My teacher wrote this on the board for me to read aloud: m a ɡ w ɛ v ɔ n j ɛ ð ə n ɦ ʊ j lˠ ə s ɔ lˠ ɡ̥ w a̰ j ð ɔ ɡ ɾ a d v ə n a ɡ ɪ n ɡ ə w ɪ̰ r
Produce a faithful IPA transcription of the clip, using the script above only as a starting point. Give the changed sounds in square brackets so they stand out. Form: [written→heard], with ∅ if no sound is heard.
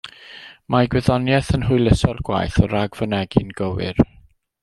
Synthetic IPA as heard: m a ɡ w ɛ [v→ð] ɔ n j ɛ [ð→θ] ə n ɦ ʊ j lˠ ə s ɔ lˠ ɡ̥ w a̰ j [ð→θ] ɔ [ɡ→∅] ɾ a [d→ɡ] v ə n [a→ɛ] ɡ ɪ n ɡ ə w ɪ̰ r

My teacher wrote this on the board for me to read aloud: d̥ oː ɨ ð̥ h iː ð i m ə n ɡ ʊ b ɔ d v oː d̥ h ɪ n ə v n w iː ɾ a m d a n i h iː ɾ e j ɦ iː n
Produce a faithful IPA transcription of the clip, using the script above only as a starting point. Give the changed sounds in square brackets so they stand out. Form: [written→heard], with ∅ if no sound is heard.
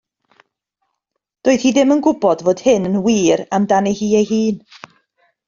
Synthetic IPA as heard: d̥ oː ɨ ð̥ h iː ð [i→ɪ] m ə n ɡ ʊ b ɔ d v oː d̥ h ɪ n ə [v→∅] n w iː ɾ a m d a n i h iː [ɾ→∅] e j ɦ iː n

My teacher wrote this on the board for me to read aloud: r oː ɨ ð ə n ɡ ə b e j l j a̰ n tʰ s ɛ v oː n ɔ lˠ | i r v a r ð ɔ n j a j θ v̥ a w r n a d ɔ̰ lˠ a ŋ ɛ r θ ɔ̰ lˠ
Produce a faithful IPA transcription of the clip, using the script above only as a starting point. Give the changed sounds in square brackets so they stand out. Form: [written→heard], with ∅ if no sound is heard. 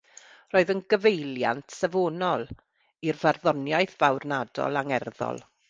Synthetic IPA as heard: r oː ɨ ð ə n ɡ ə [b→v] e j l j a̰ n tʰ s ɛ v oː n ɔ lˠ | i r v a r ð ɔ n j a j θ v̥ a w r n a d ɔ̰ lˠ a ŋ ɛ r [θ→ð] ɔ̰ lˠ

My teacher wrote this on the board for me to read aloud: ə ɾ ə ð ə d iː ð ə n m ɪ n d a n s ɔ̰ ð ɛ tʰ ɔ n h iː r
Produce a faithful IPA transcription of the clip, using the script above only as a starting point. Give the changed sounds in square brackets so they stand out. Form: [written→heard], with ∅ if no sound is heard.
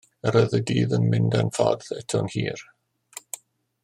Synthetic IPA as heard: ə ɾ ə ð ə d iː ð ə n m ɪ n d a n [s→f] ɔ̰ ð ɛ tʰ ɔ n h iː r

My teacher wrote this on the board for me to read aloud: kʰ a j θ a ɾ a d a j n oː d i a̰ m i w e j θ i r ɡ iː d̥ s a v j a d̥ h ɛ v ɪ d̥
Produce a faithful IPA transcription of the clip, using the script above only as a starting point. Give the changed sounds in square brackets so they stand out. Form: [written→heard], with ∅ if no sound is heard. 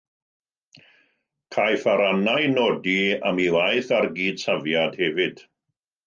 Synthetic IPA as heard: kʰ a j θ a ɾ a [d→n] a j n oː d i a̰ m i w [e→a] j θ [i→a] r ɡ iː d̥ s a v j a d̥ h ɛ v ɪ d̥

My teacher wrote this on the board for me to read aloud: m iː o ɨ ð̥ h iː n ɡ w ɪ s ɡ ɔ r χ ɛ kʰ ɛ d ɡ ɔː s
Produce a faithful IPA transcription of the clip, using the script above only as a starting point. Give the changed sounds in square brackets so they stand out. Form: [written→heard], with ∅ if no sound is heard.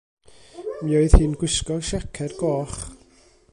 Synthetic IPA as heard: m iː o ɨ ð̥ h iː n ɡ w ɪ s [ɡ→k] ɔ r [χ→ʃ] ɛ kʰ ɛ d ɡ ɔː [s→χ]

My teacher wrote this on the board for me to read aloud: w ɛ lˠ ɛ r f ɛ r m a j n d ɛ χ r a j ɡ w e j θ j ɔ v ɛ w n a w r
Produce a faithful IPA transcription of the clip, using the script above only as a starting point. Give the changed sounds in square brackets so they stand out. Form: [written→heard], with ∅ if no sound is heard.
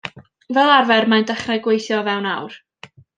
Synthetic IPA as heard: [w→v] ɛ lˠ [ɛ→a] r [f→v] ɛ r m a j n d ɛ χ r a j ɡ w e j θ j ɔ v ɛ w n a w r

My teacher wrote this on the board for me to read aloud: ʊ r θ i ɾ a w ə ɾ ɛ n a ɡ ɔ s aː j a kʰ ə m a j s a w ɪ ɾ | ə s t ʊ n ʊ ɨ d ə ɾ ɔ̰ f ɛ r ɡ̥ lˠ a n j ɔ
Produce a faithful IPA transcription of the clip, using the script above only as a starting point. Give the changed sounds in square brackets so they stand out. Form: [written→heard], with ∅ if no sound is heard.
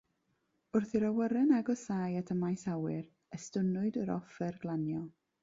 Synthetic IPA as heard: ʊ r θ i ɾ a w ə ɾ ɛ n a ɡ ɔ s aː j a [kʰ→tʰ] ə m a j s a w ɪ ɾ | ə s t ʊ n ʊ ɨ d ə ɾ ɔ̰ f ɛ r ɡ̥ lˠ a n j ɔ

